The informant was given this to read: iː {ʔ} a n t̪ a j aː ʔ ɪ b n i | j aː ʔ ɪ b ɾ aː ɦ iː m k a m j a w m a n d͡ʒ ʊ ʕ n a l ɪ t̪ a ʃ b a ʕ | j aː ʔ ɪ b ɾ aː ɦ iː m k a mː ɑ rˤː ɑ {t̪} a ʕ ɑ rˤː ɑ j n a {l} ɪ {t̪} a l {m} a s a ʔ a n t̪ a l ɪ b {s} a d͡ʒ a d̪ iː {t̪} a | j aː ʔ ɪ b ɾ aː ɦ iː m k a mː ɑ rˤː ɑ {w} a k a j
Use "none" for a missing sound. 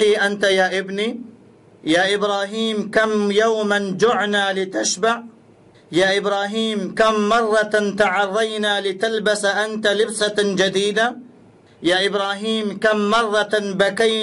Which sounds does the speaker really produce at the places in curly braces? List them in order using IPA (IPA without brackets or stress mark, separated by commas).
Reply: ʔ, t̪, l, t̪, b, s, d̪, b